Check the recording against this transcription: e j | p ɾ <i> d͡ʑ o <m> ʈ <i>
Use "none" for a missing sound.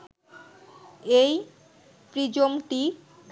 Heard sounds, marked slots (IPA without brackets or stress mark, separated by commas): i, m, i